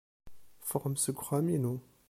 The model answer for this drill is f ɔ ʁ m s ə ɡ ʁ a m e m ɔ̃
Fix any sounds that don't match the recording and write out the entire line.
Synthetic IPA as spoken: f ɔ ʁ m s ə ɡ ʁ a m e n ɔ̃